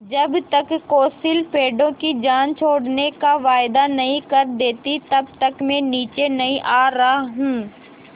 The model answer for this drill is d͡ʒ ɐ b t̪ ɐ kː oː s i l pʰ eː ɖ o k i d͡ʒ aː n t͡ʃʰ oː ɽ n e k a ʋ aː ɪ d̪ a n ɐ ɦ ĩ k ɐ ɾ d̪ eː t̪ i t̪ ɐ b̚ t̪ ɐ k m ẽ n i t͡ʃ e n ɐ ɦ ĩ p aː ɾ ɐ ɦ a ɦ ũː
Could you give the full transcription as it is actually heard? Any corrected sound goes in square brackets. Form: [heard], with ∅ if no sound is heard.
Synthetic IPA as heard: d͡ʒ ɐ b t̪ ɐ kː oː s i l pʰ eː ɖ [õ] k i d͡ʒ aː n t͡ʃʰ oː ɽ n e k a ʋ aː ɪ d̪ a n ɐ ɦ ĩ k ɐ ɾ d̪ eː t̪ i t̪ ɐ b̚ t̪ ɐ k m ẽ n [iː] t͡ʃ e n ɐ ɦ ĩ [ʔ] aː ɾ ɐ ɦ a ɦ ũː